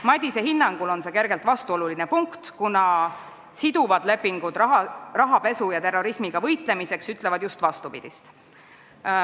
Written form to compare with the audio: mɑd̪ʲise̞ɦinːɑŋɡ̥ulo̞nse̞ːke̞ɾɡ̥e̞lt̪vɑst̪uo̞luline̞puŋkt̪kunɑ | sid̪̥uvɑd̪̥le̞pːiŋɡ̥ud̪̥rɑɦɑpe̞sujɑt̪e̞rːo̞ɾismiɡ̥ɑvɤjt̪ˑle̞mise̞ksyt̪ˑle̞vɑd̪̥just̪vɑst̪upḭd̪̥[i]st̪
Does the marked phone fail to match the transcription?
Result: no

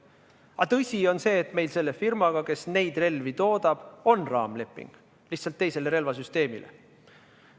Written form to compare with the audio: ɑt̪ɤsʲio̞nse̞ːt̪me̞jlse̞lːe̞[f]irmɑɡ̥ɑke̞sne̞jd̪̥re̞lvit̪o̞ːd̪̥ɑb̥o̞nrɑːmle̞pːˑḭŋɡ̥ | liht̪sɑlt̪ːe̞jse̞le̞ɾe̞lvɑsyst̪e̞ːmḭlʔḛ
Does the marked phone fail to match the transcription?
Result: no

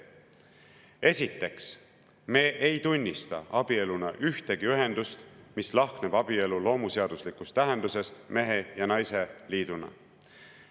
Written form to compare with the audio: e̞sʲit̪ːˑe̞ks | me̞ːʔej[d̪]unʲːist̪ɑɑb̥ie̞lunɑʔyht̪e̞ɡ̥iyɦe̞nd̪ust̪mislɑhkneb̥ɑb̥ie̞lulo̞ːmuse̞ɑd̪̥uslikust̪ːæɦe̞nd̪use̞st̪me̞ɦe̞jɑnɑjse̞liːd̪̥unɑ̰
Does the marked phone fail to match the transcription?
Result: yes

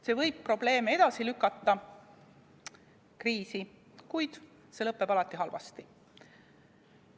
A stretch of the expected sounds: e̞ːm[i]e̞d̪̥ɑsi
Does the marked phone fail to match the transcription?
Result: yes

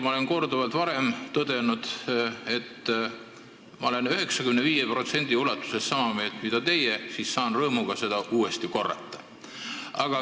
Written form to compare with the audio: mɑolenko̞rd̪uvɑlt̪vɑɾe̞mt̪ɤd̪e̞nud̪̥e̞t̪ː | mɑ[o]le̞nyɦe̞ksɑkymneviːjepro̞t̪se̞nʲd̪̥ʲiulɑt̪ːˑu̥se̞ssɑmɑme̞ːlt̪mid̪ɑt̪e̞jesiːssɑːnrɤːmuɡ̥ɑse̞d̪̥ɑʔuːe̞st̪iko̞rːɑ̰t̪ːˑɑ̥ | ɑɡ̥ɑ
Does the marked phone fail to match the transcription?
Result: no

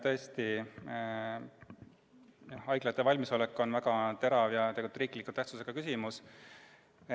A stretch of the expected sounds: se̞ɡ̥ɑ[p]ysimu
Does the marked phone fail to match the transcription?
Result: yes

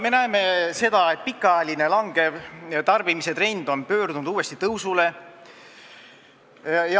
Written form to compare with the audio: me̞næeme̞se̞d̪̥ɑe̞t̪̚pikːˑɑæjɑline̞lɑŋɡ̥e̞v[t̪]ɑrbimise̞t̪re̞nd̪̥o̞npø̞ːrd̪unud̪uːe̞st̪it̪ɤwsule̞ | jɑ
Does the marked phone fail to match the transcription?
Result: no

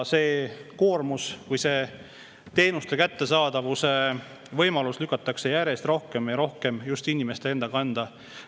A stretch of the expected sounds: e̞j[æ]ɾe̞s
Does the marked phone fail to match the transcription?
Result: no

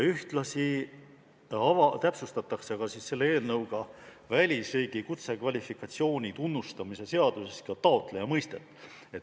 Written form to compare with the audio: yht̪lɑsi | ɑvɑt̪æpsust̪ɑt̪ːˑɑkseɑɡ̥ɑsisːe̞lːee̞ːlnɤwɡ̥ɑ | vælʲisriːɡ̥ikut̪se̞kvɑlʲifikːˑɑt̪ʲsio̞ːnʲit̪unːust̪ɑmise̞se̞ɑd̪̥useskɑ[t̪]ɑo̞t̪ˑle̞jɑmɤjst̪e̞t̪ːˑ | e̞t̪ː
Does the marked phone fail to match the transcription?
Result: no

